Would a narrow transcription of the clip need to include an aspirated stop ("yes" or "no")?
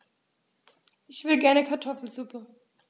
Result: yes